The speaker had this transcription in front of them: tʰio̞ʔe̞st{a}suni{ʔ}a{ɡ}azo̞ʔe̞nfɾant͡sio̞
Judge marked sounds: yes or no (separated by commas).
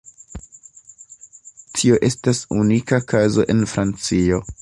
yes, no, no